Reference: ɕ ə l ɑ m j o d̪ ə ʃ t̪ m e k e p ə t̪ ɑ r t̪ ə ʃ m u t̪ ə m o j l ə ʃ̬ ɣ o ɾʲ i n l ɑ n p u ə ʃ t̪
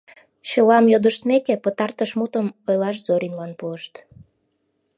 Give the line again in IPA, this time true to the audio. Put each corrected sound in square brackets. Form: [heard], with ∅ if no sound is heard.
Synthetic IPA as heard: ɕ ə l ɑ m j o d̪ ə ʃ t̪ m e k e p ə t̪ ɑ r t̪ ə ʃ m u t̪ ə m o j l [ɑ] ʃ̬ [z] o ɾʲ i n l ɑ n p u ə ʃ t̪